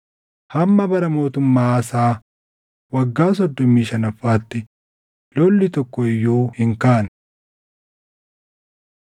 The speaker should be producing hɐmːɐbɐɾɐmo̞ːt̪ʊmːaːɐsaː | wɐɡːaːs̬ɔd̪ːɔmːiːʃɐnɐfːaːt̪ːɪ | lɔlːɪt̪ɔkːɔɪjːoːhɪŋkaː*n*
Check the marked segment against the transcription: correct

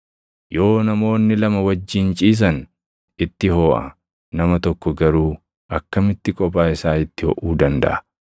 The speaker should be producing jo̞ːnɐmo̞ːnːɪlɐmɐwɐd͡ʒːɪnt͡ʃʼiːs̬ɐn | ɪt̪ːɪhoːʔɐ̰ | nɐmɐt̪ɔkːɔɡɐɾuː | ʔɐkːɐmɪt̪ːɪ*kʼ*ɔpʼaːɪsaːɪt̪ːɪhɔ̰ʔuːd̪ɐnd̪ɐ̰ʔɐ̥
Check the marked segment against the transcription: correct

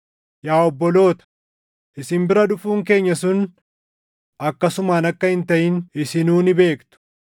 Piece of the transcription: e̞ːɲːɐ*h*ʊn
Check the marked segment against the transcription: incorrect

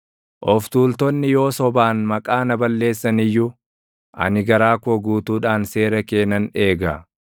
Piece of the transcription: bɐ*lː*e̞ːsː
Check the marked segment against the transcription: correct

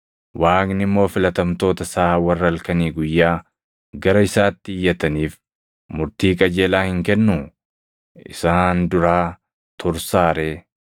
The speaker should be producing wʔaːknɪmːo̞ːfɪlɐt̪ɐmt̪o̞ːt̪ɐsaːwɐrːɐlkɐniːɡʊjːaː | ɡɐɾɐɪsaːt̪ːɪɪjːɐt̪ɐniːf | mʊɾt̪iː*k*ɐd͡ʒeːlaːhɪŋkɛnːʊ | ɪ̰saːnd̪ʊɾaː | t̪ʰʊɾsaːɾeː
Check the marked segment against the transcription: incorrect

